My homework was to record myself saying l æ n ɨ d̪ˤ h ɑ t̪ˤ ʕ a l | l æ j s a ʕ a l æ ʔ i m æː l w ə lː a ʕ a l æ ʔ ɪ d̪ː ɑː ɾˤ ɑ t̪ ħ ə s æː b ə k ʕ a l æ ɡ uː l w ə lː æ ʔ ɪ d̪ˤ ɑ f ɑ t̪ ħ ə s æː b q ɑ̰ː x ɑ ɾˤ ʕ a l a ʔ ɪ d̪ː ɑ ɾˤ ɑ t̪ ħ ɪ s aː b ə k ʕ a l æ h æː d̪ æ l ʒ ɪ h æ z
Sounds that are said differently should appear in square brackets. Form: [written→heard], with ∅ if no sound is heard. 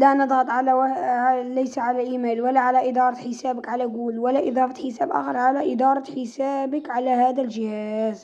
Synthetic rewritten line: l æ n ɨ d̪ˤ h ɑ t̪ˤ ʕ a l | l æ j s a ʕ a l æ ʔ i m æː l w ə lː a ʕ a l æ ʔ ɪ [d̪ː→d̪] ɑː ɾˤ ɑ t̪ ħ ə s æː b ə k ʕ a l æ ɡ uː l w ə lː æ ʔ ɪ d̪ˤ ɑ f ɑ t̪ ħ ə s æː b [q→ʔ] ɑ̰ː x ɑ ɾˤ ʕ a l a ʔ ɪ [d̪ː→d̪] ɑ ɾˤ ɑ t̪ ħ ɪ s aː b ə k ʕ a l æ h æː d̪ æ l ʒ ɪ h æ z